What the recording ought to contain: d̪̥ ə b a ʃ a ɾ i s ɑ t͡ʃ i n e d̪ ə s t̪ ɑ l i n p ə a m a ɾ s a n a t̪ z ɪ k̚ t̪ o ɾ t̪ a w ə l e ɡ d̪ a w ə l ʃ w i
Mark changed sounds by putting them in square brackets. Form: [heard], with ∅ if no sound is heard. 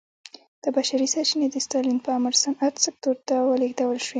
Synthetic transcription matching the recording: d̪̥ ə b a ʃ a ɾ i s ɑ t͡ʃ i n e d̪ ə s t̪ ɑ l i n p ə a m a ɾ s a n a t̪ [s] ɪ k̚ t̪ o ɾ t̪ a w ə l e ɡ d̪ a w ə l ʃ w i